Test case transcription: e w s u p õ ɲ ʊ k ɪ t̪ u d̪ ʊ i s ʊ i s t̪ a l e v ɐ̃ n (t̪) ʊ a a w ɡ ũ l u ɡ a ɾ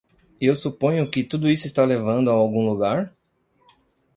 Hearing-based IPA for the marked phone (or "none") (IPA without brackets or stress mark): d̪